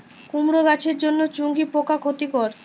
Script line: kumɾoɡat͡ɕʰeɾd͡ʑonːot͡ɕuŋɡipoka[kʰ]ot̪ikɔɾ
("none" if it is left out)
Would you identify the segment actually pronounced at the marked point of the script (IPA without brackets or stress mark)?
kʰ